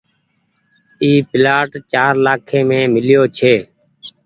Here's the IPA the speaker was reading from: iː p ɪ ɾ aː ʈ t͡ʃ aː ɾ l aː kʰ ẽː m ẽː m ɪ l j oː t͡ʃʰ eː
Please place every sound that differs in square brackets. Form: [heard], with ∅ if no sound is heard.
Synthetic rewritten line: iː p ɪ [l] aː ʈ t͡ʃ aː ɾ l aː kʰ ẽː m ẽː m ɪ l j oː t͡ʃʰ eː